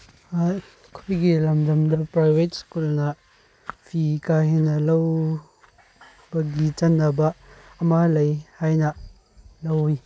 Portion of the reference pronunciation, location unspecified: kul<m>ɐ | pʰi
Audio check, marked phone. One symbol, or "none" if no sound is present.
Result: n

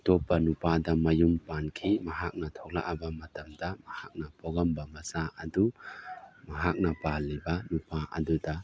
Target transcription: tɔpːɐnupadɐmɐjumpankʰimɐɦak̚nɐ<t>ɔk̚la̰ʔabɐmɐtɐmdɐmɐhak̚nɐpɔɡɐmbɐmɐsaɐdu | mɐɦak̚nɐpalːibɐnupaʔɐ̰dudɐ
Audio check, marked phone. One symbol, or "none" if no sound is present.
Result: tʰ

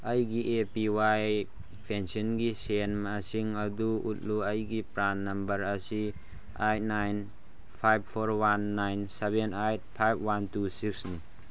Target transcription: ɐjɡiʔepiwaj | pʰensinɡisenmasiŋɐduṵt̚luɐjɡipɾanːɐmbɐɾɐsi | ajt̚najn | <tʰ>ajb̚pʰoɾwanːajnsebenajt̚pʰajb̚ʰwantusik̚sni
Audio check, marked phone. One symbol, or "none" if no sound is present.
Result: pʰ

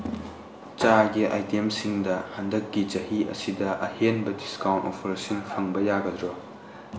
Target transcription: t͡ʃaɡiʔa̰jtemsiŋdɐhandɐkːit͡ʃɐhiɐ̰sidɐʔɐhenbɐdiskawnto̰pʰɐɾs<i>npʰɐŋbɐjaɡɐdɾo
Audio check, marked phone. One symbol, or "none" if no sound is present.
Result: i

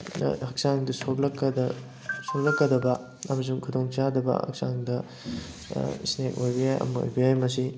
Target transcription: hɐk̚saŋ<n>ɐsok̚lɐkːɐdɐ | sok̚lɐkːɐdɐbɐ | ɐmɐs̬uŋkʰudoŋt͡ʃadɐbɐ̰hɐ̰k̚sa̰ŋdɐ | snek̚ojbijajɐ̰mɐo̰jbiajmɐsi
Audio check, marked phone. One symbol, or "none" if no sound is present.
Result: d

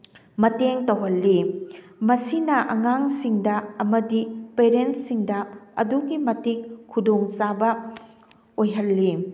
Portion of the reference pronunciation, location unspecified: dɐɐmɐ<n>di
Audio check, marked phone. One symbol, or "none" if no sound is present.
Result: none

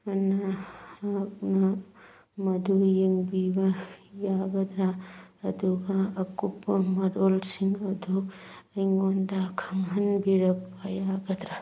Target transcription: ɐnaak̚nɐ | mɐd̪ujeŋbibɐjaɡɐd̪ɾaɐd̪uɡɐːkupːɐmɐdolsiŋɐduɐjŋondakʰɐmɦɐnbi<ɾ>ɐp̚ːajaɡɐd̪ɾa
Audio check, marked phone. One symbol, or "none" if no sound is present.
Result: ɾ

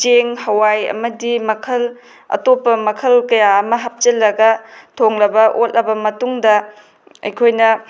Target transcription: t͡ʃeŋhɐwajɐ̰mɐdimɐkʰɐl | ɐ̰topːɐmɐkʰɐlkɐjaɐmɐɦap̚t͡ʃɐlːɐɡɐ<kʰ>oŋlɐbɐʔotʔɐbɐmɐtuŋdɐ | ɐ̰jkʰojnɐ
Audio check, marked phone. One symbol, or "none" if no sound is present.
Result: tʰ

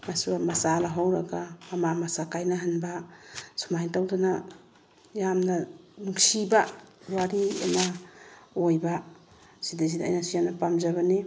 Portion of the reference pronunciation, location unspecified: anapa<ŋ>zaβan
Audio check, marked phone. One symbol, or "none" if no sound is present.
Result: m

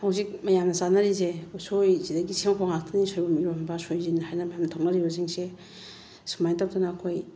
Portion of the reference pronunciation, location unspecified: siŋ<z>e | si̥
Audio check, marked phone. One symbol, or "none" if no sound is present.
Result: s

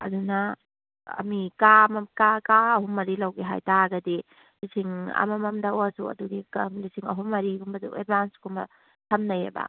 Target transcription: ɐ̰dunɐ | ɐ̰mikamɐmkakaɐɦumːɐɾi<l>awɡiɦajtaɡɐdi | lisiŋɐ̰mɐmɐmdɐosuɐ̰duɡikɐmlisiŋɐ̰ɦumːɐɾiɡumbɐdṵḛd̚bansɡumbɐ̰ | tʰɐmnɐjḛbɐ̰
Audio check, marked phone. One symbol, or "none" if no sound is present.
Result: l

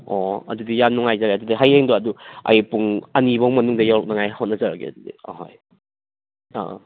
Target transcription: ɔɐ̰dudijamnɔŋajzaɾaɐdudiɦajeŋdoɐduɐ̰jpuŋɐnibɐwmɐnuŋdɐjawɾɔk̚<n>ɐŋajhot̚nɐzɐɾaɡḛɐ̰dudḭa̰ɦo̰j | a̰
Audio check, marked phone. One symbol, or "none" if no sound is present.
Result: n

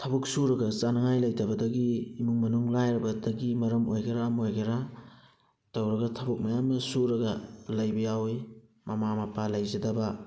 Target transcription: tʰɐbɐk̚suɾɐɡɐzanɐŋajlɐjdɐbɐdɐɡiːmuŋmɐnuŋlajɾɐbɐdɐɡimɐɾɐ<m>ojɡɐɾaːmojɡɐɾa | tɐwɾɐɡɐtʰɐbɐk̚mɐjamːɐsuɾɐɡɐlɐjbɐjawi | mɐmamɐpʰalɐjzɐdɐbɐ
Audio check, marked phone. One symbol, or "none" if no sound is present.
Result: m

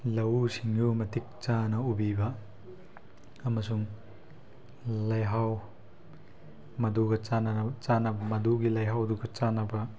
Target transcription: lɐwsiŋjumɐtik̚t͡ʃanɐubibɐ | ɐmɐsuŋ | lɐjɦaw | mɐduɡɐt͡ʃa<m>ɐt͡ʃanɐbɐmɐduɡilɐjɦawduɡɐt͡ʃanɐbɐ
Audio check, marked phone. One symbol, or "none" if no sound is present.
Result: n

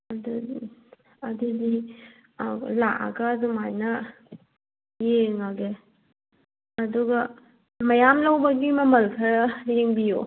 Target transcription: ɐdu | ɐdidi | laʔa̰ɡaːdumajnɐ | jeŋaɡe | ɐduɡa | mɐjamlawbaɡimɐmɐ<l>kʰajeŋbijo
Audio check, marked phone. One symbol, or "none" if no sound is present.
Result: l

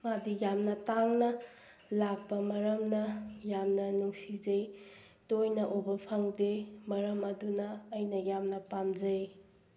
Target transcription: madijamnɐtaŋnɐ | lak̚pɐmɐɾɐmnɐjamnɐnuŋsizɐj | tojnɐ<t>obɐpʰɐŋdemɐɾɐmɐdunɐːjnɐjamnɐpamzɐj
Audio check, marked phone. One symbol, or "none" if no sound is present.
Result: ʔ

